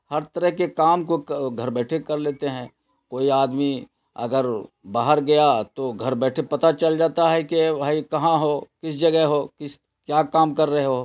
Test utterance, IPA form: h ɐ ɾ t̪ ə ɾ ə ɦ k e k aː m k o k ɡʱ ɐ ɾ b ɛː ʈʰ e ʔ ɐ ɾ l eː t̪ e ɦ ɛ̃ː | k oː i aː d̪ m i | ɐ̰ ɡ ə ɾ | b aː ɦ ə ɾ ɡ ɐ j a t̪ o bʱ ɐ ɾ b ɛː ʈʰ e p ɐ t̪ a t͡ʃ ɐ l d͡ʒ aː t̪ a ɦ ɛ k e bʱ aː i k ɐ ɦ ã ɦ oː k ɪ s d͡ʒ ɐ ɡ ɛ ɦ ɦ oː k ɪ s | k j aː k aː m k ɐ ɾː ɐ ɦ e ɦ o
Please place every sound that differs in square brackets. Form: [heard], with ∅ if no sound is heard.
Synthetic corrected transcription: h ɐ ɾ t̪ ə ɾ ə ɦ k e k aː m k o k ɡʱ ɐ ɾ b ɛː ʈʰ e [k] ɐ ɾ l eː t̪ e ɦ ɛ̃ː | k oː i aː d̪ m i | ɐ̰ ɡ ə ɾ | b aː ɦ ə ɾ ɡ ɐ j a t̪ o [ɡʱ] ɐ ɾ b ɛː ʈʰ e p ɐ t̪ a t͡ʃ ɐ l d͡ʒ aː t̪ a ɦ ɛ k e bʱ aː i k ɐ ɦ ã ɦ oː k ɪ s d͡ʒ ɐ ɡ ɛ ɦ ɦ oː k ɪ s | k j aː k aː m k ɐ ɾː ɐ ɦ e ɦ o